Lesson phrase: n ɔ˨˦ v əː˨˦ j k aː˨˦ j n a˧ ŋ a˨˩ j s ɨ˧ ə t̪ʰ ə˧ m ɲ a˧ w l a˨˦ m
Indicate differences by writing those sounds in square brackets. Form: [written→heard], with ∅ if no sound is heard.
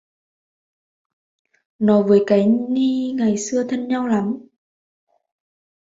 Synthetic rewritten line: n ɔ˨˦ v əː˨˦ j k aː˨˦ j n [a˧→i˧] ŋ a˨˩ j s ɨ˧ ə t̪ʰ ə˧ [m→n] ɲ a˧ w l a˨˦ m